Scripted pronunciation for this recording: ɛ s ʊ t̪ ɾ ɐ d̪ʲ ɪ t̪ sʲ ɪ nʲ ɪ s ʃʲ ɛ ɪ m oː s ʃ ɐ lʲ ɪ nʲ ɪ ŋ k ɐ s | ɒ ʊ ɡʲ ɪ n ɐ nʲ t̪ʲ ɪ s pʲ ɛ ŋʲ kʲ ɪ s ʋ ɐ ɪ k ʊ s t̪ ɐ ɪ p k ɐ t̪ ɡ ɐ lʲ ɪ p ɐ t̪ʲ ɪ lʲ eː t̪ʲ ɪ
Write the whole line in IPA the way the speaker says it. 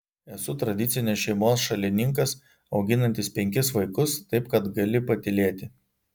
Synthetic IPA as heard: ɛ s ʊ t̪ ɾ ɐ d̪ʲ ɪ t̪ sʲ ɪ nʲ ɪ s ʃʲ ɛ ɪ m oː s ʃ ɐ lʲ ɪ nʲ ɪ ŋ k ɐ s | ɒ ʊ ɡʲ ɪ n ɐ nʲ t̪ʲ ɪ s pʲ ɛ ŋʲ kʲ ɪ s ʋ ɐ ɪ k ʊ s t̪ ɐ ɪ p k ɐ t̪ ɡ ɐ lʲ ɪ p ɐ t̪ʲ ɪ lʲ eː t̪ʲ ɪ

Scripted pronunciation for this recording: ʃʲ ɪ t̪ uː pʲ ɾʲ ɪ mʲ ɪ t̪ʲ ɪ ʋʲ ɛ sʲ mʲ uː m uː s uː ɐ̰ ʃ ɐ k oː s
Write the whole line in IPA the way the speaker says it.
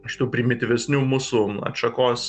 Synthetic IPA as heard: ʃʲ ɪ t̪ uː pʲ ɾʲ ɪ mʲ ɪ t̪ʲ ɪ ʋʲ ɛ sʲ nʲ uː m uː s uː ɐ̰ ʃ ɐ k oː s

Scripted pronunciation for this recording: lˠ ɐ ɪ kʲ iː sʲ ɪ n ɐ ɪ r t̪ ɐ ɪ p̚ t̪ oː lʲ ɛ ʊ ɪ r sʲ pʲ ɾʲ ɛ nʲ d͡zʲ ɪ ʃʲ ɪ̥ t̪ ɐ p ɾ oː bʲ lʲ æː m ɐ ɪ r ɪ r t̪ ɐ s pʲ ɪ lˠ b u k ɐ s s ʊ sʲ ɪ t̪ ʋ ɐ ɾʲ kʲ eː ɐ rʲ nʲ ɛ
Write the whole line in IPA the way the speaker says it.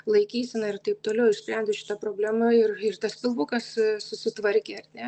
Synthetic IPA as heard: lˠ ɐ ɪ kʲ iː sʲ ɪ n ɐ ɪ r t̪ ɐ ɪ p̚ t̪ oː lʲ ɛ ʊ ɪ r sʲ pʲ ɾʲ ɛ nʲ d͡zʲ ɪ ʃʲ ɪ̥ t̪ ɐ p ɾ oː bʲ lʲ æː m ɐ ɪ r ɪ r t̪ ɐ s pʲ ɪ lˠ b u k ɐ s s ʊ sʲ ɪ t̪ ʋ ɐ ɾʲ kʲ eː ɐ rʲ nʲ ɛ

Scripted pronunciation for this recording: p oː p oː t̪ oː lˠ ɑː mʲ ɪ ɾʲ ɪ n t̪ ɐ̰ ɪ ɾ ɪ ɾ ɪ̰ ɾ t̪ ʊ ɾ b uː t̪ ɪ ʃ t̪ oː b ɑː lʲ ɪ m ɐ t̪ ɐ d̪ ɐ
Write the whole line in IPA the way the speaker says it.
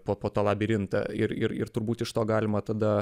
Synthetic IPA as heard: p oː p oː t̪ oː lˠ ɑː bʲ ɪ ɾʲ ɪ n t̪ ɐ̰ ɪ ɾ ɪ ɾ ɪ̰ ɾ t̪ ʊ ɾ b uː t̪ ɪ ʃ t̪ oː ɡ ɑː lʲ ɪ m ɐ t̪ ɐ d̪ ɐ

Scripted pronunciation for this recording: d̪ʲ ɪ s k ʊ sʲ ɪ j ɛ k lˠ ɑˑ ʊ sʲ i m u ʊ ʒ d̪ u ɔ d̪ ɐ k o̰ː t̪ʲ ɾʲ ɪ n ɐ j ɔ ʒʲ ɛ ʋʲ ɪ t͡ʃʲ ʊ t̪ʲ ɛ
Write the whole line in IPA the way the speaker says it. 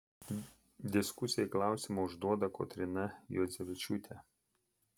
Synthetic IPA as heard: d̪ʲ ɪ s k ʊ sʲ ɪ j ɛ k lˠ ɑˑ ʊ sʲ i m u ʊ ʒ d̪ u ɔ d̪ ɐ k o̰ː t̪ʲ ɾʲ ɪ n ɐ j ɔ zʲ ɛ ʋʲ ɪ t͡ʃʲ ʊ t̪ʲ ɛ

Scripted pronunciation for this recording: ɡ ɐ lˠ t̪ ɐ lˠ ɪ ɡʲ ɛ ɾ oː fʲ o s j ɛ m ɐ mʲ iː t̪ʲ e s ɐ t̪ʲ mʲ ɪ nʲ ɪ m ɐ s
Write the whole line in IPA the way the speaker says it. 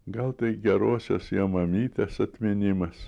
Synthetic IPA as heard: ɡ ɐ lˠ t̪ ɐ ɪ ɡʲ ɛ ɾ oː sʲ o s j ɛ m ɐ mʲ iː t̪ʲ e s ɐ t̪ʲ mʲ ɪ nʲ ɪ m ɐ s

